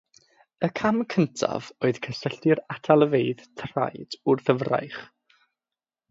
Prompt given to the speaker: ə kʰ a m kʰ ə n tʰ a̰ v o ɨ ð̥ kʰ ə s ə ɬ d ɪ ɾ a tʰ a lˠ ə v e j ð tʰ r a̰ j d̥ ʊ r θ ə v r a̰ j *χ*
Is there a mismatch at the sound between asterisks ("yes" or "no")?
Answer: no